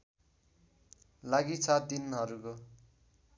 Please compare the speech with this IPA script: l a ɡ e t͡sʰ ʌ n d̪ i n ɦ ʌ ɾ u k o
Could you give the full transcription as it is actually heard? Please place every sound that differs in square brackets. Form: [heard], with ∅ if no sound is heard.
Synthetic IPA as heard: l a ɡ [i] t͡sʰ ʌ [∅] d̪ i n ɦ ʌ ɾ u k o

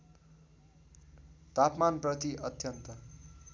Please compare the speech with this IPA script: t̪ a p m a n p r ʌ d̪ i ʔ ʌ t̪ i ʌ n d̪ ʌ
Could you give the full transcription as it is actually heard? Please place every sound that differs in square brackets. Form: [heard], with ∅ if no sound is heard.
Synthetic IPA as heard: t̪ a p m a n p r ʌ [t̪] i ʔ ʌ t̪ [j] ʌ n [t̪] ʌ

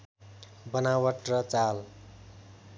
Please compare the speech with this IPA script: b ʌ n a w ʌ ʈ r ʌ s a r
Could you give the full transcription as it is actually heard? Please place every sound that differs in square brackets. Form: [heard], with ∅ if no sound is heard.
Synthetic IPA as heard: b ʌ n a w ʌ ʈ r ʌ [t͡s] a [l]

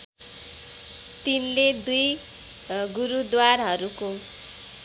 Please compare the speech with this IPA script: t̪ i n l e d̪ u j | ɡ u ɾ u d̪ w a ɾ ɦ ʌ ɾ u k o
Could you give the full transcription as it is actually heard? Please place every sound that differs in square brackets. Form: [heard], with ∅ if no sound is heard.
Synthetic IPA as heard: t̪ i n l e d̪ u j | ɡ u ɾ u d̪ w a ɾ ɦ ʌ ɾ u k o

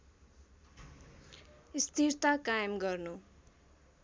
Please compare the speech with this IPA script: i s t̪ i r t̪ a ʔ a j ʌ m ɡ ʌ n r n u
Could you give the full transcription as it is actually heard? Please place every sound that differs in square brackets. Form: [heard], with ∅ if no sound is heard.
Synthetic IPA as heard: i s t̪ i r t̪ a [k] a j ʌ m ɡ ʌ [∅] r n u

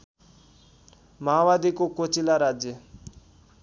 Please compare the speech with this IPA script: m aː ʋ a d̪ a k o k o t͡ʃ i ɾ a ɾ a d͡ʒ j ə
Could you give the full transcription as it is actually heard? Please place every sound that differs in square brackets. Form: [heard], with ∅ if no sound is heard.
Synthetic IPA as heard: m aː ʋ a d̪ [i] k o k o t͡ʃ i [l] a ɾ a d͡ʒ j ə

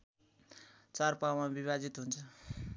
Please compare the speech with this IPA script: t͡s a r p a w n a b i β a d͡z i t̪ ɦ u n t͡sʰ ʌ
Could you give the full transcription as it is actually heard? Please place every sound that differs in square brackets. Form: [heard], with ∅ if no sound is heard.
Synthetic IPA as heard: t͡s a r p a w [m] a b i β a d͡z i t̪ ɦ u n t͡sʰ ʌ

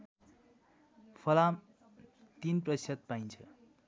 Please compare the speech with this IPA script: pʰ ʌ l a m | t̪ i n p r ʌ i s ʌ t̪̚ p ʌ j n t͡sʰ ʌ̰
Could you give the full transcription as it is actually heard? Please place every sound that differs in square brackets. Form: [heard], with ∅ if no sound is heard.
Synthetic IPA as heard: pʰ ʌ l a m | t̪ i n p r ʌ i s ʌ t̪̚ p [a] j n t͡sʰ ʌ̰

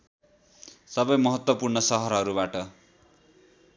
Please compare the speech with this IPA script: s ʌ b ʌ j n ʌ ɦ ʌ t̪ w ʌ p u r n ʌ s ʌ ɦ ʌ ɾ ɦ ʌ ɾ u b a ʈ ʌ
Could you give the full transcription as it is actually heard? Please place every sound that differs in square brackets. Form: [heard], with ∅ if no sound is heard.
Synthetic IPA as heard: s ʌ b ʌ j [m] ʌ ɦ ʌ t̪ w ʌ p u r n ʌ s ʌ ɦ ʌ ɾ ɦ ʌ ɾ u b a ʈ ʌ

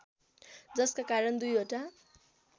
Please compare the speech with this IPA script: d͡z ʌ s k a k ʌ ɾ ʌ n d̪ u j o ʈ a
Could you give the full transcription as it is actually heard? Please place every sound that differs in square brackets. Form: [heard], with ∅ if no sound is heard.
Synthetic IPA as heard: d͡z ʌ s k a k [a] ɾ ʌ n d̪ u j o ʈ a

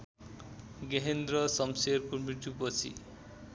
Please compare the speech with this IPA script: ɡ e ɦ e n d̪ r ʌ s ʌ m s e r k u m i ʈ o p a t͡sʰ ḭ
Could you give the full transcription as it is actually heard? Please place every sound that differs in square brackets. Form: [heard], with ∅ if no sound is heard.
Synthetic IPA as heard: ɡ e ɦ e n d̪ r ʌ s ʌ m s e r k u m i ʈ [u] p [ʌ] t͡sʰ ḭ

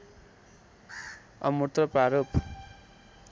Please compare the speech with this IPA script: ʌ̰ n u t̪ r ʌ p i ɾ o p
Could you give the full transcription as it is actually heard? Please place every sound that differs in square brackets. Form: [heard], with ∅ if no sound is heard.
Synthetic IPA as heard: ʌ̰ [m] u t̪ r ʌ p [a] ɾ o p

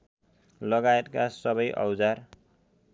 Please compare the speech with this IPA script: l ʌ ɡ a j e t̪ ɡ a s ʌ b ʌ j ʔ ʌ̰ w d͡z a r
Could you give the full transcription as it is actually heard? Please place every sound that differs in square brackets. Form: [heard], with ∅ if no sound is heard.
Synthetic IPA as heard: l ʌ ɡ a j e t̪ [k] a s ʌ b ʌ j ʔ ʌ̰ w d͡z a r

